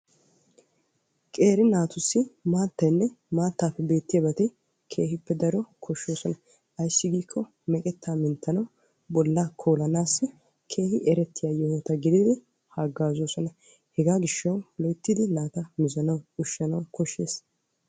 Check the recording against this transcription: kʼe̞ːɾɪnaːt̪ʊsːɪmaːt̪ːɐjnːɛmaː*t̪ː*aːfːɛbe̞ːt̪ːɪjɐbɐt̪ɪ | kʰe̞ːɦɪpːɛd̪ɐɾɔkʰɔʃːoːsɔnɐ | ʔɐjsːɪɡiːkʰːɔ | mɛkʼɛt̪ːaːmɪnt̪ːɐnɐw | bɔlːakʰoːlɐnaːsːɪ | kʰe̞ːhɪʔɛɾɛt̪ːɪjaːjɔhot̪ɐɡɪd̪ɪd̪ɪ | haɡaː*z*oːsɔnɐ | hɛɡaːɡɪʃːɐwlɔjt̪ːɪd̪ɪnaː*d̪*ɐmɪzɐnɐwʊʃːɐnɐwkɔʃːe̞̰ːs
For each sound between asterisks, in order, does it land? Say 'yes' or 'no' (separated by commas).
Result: yes, yes, no